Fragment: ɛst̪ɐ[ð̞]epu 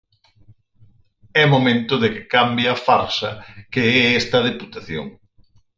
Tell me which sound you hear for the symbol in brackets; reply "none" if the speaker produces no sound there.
ð̞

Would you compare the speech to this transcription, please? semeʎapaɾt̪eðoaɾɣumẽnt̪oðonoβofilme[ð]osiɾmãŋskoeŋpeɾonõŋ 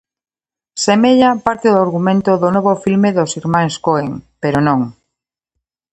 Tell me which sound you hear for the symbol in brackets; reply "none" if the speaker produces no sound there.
ð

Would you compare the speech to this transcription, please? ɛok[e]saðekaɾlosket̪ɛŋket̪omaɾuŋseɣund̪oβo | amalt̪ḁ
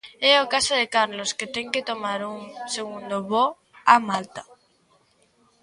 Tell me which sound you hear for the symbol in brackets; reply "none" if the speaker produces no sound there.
a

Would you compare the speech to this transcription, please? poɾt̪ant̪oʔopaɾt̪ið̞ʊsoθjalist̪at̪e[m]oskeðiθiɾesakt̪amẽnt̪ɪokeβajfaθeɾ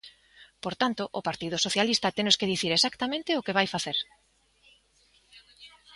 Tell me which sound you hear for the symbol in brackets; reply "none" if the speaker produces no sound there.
n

